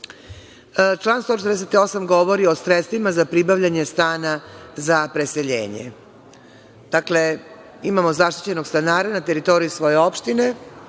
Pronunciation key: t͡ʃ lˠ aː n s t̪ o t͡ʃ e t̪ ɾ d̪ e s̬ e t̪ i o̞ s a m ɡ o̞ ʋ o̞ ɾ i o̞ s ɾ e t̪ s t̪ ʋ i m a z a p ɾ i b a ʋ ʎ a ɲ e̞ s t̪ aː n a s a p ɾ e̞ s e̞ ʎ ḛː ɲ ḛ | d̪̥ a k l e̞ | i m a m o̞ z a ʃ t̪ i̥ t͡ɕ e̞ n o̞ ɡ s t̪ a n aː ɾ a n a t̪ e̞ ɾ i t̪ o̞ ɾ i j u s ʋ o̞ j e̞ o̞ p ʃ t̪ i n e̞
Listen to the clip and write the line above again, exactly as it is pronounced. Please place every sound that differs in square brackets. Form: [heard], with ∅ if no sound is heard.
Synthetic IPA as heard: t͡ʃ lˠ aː n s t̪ o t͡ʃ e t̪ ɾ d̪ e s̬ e t̪ i o̞ s a m ɡ o̞ ʋ o̞ ɾ i o̞ s ɾ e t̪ s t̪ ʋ i m a z a p ɾ i b a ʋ ʎ a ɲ e̞ s t̪ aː n a [z] a p ɾ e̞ s e̞ ʎ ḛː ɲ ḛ | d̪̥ a k l e̞ | i m a m o̞ z a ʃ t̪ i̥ t͡ɕ e̞ n o̞ ɡ s t̪ a n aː ɾ a n a t̪ e̞ ɾ i t̪ o̞ ɾ i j u s ʋ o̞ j e̞ o̞ p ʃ t̪ i n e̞